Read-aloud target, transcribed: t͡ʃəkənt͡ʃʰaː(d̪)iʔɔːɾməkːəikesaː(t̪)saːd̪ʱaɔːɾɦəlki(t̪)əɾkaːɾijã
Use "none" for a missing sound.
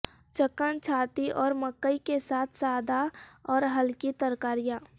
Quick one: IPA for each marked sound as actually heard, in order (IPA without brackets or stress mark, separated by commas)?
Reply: t̪, t̪ʰ, t̪